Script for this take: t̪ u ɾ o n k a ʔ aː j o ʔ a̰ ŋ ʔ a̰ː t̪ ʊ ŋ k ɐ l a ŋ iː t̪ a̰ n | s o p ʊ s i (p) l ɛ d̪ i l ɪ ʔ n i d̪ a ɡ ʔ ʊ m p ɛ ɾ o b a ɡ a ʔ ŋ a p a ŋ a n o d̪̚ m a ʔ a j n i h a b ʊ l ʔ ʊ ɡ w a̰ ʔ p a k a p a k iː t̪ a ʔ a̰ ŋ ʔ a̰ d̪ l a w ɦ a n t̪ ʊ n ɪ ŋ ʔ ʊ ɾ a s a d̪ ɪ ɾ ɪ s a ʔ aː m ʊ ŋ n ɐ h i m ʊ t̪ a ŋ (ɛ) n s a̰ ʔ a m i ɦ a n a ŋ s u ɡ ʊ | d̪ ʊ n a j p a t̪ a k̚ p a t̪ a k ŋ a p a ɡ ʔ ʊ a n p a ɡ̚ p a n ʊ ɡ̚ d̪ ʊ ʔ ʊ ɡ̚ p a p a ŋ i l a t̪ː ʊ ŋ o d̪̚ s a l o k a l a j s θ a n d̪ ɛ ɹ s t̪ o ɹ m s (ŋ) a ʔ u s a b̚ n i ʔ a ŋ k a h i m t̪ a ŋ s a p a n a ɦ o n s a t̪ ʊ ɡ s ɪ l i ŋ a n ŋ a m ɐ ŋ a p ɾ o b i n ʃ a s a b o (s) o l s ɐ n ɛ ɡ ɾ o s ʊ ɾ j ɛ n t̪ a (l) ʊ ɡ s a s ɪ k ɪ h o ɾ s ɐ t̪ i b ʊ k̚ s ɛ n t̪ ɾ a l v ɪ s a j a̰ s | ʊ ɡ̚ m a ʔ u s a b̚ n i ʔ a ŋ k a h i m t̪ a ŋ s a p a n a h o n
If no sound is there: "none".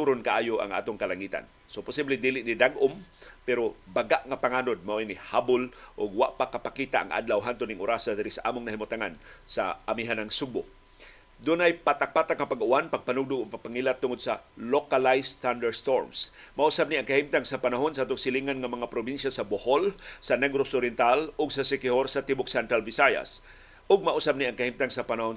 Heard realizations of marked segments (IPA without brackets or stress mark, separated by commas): b, a, m, h, l